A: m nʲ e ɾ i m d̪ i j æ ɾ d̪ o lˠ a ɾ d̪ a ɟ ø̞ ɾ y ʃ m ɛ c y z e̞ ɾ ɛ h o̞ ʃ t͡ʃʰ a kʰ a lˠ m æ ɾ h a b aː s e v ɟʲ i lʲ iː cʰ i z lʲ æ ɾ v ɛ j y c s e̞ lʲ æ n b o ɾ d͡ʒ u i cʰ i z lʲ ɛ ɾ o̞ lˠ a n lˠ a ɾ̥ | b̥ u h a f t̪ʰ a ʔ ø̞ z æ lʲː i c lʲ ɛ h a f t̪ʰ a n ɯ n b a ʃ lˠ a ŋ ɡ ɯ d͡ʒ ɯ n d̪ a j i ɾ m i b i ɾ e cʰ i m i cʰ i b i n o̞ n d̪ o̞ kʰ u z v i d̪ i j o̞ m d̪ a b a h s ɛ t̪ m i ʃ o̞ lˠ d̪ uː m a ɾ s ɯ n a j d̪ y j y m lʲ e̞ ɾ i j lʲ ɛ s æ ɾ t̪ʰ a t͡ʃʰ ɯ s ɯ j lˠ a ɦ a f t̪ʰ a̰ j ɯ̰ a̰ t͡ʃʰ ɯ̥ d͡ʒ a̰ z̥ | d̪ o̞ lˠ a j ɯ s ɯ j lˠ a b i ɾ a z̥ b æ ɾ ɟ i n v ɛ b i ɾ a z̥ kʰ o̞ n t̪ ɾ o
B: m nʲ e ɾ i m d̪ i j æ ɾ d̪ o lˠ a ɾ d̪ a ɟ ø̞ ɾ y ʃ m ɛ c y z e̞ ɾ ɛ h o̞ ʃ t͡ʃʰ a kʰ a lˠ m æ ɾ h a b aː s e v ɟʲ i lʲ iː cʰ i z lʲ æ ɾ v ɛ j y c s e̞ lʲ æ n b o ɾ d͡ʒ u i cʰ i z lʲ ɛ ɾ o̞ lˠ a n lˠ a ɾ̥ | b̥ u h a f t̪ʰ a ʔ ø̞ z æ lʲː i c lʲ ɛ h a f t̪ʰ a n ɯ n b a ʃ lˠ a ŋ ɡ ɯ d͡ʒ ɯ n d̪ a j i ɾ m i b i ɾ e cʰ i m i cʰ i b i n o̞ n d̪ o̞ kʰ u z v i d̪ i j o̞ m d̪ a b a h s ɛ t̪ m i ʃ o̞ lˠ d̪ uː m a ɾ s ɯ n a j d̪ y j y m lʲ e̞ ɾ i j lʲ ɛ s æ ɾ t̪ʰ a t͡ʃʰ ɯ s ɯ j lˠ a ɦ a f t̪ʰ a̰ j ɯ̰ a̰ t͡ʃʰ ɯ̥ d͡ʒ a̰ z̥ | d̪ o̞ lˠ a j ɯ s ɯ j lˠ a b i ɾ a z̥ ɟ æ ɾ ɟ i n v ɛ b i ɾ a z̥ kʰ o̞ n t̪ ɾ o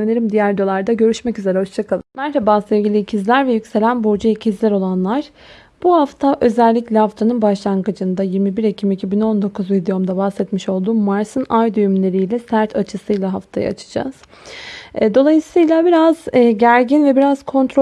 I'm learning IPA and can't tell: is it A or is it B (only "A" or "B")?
B